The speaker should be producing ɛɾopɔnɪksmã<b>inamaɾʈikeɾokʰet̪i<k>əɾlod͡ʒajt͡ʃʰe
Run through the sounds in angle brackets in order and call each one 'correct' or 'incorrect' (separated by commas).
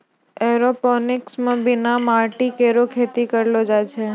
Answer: correct, correct